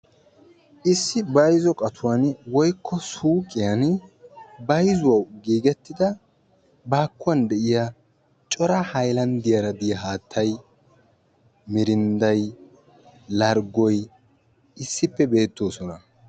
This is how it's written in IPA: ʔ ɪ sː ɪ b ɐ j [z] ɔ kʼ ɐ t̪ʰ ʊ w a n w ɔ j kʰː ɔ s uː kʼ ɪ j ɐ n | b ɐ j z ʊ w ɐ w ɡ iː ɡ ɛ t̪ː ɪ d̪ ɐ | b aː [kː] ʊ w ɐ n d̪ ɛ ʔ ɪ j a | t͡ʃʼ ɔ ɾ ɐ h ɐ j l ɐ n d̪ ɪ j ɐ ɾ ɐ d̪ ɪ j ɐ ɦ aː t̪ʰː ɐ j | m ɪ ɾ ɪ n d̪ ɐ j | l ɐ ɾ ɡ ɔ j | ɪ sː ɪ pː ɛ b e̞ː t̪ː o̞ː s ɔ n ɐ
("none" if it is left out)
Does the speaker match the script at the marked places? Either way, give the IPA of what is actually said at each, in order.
z, kː

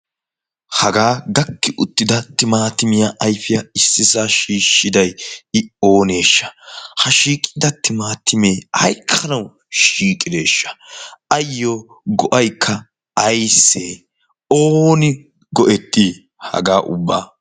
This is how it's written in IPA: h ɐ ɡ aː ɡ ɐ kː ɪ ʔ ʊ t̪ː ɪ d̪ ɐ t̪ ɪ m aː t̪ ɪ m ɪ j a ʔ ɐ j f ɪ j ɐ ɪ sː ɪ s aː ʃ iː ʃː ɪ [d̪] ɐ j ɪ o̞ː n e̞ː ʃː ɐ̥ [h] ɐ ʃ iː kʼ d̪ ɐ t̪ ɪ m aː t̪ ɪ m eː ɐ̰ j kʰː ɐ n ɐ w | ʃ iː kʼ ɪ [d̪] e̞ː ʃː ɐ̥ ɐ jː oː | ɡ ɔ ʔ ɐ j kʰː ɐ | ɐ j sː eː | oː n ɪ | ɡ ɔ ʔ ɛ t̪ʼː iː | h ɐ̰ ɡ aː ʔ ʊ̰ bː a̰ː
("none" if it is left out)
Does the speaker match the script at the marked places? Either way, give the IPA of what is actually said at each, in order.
d̪, h, d̪

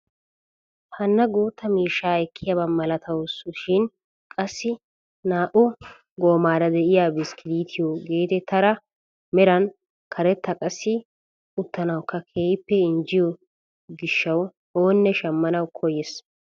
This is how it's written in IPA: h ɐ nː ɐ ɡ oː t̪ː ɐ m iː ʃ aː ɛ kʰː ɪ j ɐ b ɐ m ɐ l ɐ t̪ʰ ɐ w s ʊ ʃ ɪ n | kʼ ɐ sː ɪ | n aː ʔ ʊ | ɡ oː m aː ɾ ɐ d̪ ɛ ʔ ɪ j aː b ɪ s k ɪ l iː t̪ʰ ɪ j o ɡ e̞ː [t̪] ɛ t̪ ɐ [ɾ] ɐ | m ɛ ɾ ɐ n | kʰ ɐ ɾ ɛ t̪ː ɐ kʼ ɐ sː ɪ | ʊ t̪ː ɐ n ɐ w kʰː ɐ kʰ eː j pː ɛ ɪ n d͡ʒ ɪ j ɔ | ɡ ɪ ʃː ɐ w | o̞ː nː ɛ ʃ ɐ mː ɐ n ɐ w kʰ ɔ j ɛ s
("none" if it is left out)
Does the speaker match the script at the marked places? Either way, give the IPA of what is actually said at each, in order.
t̪, ɾ

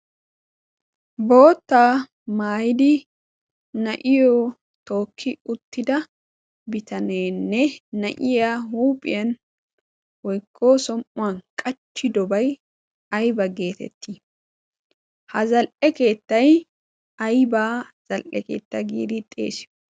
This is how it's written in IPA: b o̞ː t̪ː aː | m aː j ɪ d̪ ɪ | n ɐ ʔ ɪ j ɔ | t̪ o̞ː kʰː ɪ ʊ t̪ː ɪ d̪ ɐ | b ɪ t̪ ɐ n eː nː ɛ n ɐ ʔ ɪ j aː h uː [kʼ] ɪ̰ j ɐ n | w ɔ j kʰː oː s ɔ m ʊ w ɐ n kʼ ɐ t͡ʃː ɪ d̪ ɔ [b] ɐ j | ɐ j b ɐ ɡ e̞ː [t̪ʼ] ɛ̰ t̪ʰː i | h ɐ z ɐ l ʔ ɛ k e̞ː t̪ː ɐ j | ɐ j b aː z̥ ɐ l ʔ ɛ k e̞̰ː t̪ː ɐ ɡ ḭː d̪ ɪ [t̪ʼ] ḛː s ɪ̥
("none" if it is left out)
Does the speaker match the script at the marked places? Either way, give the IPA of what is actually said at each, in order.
pʼ, b, t̪, t̪ʼ

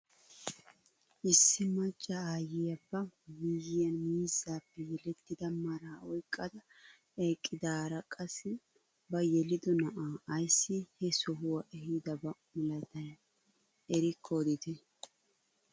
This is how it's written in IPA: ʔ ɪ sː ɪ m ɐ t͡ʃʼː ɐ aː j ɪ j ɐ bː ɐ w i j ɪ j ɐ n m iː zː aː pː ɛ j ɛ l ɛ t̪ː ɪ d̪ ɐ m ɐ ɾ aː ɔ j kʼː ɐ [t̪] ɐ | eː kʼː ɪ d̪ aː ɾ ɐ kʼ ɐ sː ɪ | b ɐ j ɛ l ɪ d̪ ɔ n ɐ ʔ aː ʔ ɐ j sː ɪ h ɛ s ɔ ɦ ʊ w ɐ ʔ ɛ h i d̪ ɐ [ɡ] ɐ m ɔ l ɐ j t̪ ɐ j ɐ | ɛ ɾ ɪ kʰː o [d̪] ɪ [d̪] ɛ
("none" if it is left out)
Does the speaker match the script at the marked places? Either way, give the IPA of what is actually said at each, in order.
d̪, b, d̪, t̪

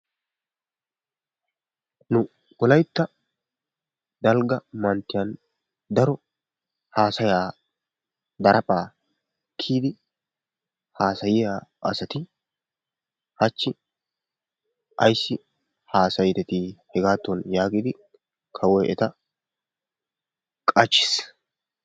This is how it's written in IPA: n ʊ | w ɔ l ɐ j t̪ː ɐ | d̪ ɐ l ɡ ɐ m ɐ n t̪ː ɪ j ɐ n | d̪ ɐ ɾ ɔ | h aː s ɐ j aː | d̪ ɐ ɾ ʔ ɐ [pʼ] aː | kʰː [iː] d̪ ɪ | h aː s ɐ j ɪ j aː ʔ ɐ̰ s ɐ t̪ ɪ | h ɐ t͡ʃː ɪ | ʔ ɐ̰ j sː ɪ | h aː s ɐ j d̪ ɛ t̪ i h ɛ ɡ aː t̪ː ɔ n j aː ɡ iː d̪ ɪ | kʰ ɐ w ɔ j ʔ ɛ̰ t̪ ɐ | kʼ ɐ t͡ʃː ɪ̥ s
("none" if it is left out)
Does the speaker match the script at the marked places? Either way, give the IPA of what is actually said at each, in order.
pʼ, iː

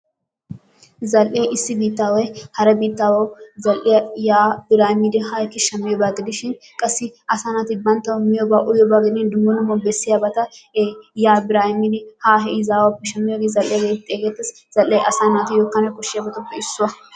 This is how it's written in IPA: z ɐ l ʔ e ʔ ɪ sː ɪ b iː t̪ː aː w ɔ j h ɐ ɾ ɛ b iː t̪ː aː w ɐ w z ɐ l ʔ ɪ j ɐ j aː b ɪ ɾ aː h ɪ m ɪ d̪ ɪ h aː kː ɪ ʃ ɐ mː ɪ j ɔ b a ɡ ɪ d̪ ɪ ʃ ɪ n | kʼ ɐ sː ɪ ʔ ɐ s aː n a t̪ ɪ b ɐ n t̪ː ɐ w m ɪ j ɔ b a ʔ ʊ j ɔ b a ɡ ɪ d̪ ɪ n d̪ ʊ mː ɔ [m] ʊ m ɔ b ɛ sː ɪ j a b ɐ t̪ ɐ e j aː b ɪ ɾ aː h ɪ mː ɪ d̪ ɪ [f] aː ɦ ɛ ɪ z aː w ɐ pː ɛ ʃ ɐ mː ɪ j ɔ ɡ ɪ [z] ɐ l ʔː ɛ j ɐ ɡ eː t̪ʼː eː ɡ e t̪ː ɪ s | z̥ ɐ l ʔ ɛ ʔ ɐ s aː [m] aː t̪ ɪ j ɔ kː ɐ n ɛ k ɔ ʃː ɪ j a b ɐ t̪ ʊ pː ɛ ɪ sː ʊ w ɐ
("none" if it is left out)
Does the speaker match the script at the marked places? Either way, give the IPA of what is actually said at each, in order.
n, h, z, n

